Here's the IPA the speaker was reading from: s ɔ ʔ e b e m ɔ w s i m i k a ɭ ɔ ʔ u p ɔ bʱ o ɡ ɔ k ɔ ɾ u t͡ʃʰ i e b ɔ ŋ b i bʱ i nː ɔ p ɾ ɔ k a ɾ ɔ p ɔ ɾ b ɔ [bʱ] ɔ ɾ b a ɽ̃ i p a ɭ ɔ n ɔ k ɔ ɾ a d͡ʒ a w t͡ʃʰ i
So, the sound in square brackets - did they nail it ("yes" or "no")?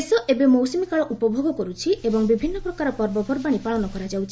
yes